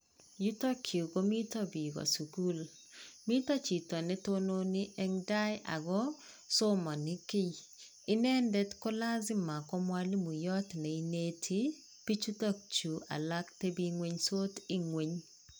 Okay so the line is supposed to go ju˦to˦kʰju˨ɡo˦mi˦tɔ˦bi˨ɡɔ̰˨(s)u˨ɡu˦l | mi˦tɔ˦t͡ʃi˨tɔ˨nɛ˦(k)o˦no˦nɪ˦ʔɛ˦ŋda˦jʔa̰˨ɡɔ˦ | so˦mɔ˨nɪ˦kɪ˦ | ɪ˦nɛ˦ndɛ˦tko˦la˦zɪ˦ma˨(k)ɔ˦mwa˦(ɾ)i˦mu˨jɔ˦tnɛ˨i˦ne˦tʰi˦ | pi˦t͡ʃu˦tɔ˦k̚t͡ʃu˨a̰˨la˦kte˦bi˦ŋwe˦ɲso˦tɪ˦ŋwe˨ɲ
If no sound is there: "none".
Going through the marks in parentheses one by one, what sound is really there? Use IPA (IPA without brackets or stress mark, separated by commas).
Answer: s, t, k, l